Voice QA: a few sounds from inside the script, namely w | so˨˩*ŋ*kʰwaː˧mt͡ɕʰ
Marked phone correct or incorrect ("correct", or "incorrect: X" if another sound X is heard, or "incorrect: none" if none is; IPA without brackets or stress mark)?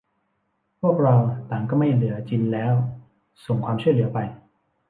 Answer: correct